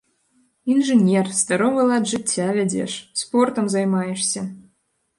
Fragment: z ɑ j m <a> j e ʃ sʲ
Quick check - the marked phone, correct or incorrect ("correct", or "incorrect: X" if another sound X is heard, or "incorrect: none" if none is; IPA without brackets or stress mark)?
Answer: incorrect: ɑ